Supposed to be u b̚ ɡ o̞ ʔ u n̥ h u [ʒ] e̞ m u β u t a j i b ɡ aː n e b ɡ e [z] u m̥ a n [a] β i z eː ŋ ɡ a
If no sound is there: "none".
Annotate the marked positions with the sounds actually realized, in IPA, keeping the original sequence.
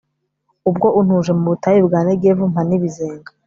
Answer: ʒ, v, i

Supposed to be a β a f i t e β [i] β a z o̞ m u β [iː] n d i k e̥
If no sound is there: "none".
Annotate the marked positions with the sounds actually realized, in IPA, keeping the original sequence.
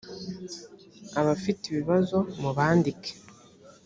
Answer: i, aː

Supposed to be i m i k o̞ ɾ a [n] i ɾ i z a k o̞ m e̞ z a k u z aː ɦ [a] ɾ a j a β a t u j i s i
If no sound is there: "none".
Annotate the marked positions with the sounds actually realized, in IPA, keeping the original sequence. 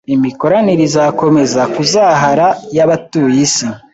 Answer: n, a

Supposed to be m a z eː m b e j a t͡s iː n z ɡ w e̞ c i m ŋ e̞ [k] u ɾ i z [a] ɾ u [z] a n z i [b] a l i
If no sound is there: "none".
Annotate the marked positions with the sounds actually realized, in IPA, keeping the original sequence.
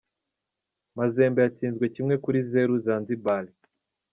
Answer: k, e, z, b

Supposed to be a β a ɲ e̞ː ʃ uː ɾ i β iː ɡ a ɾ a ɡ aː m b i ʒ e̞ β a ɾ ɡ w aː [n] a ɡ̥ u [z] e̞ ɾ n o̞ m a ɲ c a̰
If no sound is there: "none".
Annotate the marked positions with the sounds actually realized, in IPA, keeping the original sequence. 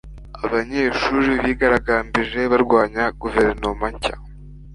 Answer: ɲ, v

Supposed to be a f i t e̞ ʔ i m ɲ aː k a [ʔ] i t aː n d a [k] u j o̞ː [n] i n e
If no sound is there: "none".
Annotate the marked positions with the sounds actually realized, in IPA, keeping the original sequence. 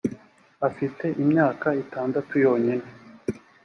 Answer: none, t, ɲ

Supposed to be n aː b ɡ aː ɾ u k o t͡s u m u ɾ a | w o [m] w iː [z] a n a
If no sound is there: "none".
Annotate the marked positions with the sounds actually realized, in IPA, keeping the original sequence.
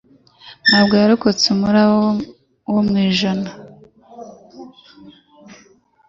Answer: m, ʒ

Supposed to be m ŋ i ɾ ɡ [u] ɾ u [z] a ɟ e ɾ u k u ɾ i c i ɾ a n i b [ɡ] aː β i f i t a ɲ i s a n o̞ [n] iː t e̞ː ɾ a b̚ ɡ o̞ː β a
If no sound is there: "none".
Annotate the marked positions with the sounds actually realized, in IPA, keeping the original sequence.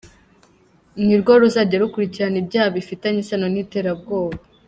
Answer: o, z, ɟ, n

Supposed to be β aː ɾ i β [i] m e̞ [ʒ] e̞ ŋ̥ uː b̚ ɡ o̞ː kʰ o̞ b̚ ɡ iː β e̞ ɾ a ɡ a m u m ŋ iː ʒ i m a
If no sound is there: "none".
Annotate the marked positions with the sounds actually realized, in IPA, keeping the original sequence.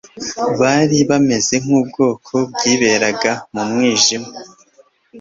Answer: a, z

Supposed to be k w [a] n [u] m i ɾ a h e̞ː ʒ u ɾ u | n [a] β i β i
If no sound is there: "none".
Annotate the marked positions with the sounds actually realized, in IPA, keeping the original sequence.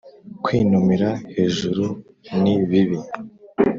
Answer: i, u, i

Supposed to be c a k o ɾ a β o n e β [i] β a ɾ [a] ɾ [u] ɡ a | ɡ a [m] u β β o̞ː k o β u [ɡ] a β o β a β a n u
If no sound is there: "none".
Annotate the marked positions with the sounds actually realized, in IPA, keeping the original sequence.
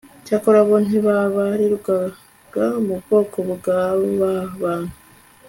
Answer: a, i, u, m, ɡ

